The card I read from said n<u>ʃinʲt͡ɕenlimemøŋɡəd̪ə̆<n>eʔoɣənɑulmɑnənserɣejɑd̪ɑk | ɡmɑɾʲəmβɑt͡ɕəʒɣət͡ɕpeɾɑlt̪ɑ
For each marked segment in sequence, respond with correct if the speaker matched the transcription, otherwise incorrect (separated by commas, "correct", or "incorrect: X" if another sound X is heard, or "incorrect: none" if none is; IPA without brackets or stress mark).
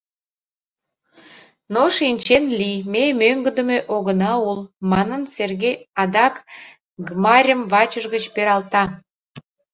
incorrect: o, incorrect: m